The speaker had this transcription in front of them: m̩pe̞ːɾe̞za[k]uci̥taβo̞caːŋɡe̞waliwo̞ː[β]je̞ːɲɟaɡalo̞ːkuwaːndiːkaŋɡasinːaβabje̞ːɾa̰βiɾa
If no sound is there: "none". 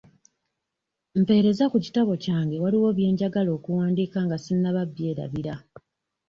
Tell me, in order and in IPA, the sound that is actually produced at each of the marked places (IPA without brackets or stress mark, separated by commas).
k, β